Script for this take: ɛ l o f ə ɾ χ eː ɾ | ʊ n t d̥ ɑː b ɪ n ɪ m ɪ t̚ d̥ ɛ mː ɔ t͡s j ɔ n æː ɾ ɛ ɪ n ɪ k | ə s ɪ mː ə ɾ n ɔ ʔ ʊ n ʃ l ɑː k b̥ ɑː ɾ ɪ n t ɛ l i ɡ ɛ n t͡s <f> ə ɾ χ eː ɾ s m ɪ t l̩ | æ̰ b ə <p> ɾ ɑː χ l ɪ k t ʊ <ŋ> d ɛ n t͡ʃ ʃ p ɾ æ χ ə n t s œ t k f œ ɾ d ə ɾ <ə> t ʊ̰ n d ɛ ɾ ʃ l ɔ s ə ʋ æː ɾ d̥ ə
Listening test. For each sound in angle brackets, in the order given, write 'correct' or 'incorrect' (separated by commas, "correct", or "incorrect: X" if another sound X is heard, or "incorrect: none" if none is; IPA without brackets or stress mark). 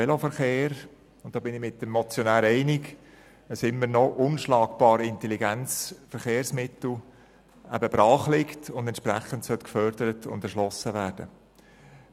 correct, incorrect: b, incorrect: n, correct